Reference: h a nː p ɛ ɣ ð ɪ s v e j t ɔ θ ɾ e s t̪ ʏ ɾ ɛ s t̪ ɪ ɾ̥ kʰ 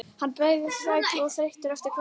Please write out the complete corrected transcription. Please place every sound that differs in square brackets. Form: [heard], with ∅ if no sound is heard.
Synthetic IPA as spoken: h a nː p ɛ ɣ ð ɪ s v [a] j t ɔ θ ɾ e [h] t̪ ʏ ɾ ɛ [f] t̪ ɪ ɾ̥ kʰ